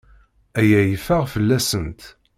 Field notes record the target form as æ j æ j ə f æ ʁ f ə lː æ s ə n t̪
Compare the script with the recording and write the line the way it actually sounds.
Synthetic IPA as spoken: æ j æ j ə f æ ʁ f ə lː æ s ə n t̪

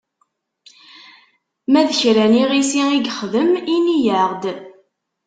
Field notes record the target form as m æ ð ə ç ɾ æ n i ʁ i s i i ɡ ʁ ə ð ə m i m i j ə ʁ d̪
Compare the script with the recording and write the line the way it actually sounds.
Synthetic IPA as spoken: m æ ð ə ç ɾ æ n i ʁ i s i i ɡ χ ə ð ə m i n i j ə ʁ d̪

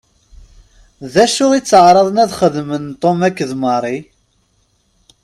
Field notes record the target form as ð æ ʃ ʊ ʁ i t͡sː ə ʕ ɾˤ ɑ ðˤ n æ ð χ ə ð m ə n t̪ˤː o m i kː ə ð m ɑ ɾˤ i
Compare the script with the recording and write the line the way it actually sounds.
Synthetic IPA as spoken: ð æ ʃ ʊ ʁ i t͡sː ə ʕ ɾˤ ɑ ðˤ n æ ð χ ə ð m ə n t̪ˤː o m æ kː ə ð m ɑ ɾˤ i

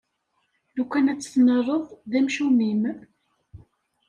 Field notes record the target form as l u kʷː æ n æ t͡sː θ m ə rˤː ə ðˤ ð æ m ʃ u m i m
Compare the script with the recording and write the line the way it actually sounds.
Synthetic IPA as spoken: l u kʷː æ n æ t͡sː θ n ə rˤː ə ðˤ ð æ m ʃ u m i m

